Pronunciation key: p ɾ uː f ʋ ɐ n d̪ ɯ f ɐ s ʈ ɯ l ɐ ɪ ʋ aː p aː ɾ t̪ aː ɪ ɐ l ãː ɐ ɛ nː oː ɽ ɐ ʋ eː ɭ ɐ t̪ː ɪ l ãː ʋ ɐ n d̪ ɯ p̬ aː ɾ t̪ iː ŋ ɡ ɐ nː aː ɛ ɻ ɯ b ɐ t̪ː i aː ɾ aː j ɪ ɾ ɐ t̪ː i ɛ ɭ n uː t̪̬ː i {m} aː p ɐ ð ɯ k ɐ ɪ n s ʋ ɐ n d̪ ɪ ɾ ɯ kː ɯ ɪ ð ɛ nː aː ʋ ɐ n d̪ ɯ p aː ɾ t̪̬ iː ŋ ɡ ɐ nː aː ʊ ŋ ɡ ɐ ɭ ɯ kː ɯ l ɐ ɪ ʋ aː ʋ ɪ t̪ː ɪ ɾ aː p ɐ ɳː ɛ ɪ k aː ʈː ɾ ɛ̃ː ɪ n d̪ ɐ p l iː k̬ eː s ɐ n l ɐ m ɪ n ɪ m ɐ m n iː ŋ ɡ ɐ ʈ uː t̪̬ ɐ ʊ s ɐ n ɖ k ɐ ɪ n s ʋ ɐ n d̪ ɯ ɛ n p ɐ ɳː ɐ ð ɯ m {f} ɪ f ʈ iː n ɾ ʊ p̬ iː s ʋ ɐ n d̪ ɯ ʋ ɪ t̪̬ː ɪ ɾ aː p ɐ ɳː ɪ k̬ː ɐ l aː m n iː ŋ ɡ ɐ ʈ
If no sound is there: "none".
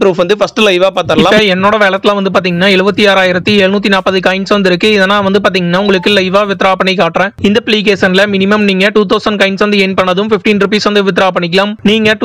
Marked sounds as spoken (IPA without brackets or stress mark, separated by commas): n, f